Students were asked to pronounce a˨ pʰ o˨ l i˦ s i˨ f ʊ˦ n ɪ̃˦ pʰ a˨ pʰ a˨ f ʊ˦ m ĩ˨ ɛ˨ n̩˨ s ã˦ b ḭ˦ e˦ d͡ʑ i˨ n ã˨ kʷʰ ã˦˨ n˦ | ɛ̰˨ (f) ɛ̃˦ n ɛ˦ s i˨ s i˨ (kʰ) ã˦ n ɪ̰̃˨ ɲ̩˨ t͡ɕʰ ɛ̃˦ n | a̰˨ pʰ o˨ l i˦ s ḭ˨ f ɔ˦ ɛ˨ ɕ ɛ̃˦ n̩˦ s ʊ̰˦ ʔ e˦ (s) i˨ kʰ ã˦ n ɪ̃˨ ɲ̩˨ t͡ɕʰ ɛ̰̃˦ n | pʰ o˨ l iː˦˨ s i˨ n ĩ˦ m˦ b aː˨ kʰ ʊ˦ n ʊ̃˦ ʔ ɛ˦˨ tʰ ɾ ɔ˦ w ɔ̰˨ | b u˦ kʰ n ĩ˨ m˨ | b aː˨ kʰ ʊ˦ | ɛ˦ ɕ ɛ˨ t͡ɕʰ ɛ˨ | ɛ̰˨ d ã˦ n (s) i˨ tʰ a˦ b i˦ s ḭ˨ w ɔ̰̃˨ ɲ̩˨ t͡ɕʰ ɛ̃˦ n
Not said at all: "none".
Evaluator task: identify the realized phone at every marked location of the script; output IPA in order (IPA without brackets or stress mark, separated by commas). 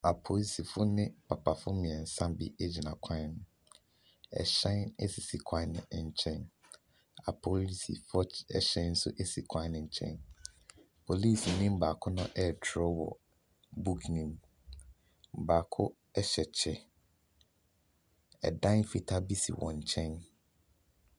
ɕ, kʰ, s, f